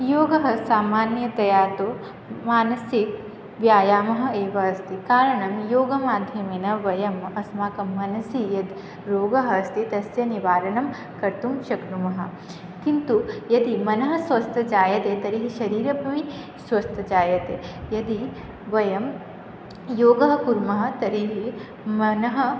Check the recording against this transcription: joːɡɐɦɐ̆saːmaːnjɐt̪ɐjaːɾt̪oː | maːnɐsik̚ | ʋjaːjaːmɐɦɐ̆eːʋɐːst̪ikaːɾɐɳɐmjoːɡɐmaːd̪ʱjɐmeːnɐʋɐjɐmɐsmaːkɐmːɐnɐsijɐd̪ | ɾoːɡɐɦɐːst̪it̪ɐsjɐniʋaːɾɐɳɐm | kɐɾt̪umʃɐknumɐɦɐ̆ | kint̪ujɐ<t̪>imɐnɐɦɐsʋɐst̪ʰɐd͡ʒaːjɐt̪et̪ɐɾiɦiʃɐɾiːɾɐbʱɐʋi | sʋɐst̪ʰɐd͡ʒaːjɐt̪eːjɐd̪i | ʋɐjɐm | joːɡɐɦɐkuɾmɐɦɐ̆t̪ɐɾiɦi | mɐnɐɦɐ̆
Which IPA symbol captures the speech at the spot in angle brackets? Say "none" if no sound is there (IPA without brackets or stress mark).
d̪